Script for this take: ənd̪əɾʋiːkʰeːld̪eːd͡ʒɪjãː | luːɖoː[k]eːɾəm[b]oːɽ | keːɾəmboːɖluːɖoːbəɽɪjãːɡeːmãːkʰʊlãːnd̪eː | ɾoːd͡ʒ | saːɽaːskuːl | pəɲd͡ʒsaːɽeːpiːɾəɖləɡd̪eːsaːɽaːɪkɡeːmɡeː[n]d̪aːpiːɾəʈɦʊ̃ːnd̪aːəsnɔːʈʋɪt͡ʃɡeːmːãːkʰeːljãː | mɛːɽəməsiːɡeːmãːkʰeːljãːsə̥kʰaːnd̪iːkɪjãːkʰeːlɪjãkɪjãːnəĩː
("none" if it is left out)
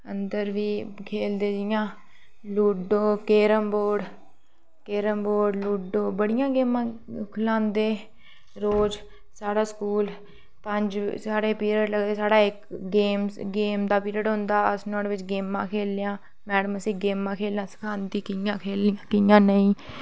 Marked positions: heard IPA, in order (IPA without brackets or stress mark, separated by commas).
k, b, m